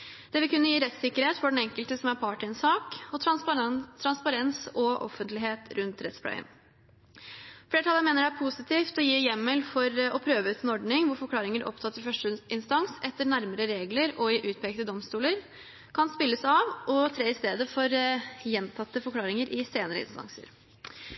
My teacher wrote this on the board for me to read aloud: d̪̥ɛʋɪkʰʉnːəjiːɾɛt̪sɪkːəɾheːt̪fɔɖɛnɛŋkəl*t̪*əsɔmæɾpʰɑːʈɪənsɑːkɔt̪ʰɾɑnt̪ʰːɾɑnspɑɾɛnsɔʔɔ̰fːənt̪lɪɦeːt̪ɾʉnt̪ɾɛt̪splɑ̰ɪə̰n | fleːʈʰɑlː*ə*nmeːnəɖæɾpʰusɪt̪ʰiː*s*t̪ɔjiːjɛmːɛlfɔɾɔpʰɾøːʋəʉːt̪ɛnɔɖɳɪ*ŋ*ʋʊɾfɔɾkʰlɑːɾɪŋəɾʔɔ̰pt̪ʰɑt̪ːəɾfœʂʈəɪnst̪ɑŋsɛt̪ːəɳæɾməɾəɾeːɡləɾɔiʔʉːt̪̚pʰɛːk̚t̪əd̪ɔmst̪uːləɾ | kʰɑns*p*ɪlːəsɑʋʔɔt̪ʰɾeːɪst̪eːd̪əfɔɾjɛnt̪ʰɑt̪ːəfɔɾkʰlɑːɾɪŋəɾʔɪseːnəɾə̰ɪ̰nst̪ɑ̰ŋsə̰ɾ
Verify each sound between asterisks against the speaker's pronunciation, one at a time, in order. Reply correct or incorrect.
correct, correct, incorrect: f, correct, correct

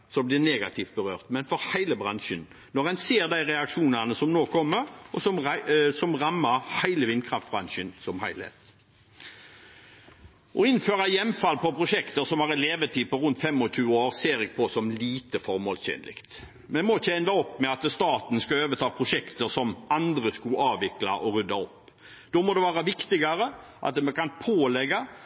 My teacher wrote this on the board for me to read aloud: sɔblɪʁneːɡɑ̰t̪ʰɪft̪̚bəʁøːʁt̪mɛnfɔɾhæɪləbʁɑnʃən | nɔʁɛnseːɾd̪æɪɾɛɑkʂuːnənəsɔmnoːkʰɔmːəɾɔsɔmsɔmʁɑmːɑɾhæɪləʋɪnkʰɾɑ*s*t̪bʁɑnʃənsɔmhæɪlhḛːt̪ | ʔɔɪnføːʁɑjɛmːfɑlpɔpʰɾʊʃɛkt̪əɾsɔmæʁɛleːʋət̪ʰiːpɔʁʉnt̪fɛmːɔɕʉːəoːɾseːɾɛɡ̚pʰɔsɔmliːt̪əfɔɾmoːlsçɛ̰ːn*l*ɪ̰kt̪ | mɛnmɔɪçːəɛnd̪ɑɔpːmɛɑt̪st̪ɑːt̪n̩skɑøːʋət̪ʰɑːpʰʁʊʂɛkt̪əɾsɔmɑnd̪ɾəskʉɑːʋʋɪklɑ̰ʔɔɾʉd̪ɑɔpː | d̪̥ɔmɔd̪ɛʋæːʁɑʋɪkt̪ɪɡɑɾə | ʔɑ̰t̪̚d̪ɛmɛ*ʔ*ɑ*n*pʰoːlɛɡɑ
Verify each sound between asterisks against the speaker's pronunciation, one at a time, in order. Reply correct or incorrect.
incorrect: f, correct, incorrect: k, correct

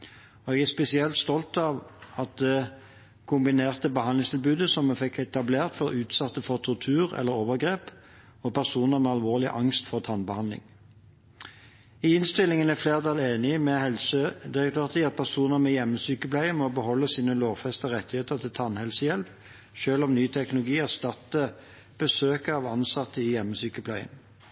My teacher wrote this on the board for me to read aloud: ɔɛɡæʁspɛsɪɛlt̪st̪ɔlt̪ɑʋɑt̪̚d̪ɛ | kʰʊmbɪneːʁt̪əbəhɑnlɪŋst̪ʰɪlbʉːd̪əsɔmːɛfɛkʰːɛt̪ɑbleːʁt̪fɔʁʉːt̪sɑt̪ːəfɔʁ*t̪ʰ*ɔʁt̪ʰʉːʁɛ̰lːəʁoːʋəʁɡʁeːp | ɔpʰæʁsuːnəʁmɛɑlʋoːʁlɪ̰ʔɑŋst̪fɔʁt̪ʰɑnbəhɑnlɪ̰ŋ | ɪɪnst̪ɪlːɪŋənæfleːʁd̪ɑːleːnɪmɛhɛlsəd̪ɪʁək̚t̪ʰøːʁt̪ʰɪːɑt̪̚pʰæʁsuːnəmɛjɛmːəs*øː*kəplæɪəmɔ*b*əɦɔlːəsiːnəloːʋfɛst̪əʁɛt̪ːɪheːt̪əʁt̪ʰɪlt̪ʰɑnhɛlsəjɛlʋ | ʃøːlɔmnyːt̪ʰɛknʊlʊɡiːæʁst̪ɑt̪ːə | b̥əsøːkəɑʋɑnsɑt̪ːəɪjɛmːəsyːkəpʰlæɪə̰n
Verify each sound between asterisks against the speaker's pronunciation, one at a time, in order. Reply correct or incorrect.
correct, incorrect: yː, correct

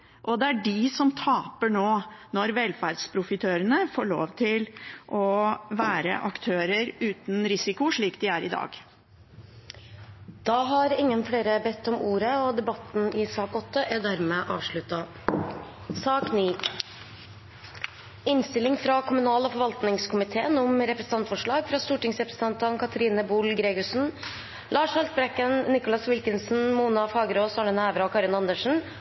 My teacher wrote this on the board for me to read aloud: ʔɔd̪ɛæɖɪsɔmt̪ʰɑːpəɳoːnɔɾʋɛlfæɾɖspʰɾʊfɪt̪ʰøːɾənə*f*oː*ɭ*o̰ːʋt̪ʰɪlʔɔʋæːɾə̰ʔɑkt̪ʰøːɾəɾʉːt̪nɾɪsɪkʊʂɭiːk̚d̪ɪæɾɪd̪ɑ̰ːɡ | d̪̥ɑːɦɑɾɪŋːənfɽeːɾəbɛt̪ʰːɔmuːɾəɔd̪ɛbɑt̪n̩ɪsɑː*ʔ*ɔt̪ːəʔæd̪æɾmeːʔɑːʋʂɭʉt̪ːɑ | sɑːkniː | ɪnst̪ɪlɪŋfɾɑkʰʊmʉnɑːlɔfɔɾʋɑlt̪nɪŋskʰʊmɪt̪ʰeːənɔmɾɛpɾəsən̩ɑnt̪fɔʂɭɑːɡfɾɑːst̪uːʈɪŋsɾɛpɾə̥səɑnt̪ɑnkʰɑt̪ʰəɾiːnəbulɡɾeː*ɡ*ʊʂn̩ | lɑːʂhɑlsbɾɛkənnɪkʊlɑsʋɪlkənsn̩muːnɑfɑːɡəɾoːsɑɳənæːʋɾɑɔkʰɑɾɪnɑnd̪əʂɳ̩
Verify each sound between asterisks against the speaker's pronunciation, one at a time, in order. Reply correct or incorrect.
correct, correct, incorrect: k, correct

